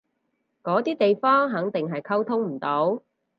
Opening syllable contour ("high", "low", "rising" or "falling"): rising